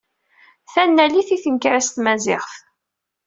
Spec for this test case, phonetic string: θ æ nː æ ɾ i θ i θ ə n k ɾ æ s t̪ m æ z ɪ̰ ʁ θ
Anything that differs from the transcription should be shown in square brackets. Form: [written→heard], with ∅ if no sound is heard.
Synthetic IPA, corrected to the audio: θ æ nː æ [ɾ→l] i θ i θ ə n k ɾ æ s t̪ m æ z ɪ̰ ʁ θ